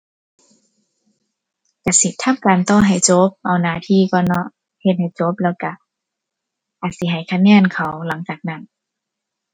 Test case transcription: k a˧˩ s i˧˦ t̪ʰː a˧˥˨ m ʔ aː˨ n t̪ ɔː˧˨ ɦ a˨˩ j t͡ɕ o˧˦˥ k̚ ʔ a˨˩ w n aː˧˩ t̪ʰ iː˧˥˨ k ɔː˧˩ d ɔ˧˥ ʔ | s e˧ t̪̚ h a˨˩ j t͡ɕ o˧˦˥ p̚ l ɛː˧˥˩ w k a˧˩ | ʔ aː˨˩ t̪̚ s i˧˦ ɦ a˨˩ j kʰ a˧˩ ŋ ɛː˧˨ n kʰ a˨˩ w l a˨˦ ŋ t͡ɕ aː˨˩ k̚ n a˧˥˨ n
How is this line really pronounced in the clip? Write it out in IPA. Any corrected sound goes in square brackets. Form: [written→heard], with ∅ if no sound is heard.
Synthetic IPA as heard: k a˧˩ s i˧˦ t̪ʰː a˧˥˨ m [ʔ→k] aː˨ n t̪ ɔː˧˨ ɦ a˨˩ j t͡ɕ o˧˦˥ [k̚→p̚] ʔ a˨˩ w n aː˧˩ t̪ʰ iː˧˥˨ k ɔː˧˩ [d→n] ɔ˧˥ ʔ | [s→h] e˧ t̪̚ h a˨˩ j t͡ɕ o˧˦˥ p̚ l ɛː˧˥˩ w k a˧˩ | ʔ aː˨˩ t̪̚ s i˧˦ ɦ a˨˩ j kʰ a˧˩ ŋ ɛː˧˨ n kʰ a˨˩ w l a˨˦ ŋ t͡ɕ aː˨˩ k̚ n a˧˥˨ n